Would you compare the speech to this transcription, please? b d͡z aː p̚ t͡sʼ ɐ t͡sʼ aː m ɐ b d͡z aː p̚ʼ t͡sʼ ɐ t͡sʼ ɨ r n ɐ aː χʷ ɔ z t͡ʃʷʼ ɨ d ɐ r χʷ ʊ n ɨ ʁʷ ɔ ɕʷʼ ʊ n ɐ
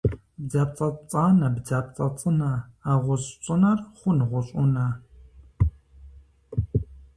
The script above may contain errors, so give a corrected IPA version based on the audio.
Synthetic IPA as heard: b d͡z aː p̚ t͡sʼ ɐ t͡sʼ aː n ɐ b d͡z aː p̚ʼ t͡sʼ ɐ t͡sʼ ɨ n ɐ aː ʁʷ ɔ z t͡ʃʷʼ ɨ n ɐ r χʷ ʊ n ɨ ʁʷ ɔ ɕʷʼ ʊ n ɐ